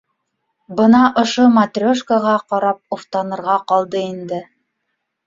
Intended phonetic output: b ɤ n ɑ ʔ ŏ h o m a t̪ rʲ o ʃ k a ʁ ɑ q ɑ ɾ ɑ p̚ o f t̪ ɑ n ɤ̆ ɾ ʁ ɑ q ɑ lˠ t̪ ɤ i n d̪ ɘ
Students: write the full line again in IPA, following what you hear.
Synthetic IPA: b ɤ n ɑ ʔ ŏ ʃ o m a t̪ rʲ o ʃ k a ʁ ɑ q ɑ ɾ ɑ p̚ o f t̪ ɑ n ɤ̆ ɾ ʁ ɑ q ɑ lˠ d̪ ɤ i n d̪ ɘ